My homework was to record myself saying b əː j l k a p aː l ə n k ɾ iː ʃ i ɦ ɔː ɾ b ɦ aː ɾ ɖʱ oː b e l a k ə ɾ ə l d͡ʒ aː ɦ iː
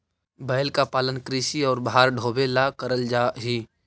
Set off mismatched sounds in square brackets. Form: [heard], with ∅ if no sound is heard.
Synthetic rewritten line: b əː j l k a p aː l ə n k ɾ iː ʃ i [∅] ɔː ɾ b ɦ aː ɾ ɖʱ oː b e l a k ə ɾ ə l d͡ʒ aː ɦ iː